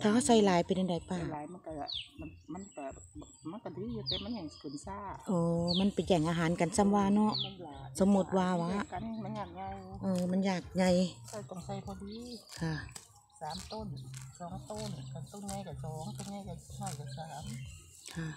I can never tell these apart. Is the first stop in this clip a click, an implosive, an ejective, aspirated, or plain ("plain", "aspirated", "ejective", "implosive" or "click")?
aspirated